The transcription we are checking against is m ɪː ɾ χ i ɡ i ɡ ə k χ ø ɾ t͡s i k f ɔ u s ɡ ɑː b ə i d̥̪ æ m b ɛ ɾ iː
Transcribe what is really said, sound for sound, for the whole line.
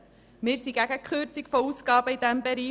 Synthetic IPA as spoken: m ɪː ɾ s i ɡ æ ɡ ə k χ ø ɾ t͡s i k f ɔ u s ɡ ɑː b ə i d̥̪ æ m b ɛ ɾ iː